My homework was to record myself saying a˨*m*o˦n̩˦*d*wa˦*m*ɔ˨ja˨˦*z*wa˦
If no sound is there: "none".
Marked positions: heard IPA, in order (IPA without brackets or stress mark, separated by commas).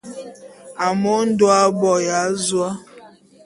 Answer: m, d, b, z